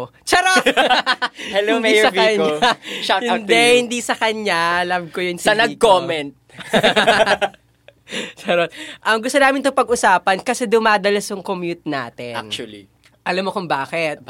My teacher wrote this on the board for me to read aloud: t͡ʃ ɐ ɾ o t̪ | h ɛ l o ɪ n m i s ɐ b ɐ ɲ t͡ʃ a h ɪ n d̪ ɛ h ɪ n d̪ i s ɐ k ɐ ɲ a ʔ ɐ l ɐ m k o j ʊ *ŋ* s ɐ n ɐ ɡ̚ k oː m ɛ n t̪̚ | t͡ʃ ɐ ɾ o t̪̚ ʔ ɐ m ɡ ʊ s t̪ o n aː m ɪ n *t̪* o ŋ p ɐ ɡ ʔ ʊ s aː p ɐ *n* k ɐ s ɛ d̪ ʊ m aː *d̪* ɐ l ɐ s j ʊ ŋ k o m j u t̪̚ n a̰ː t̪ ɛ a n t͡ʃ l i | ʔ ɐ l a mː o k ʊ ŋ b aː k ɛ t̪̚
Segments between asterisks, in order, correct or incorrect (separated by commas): incorrect, correct, correct, correct